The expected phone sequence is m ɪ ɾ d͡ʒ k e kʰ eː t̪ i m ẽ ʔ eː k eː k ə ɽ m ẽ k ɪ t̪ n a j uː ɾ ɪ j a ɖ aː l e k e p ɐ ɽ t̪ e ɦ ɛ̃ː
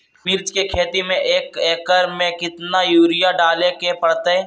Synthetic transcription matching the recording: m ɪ ɾ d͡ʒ k e kʰ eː t̪ i m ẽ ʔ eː k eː k ə ɾ m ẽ k ɪ t̪ n a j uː ɾ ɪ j a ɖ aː l e k e p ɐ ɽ t̪ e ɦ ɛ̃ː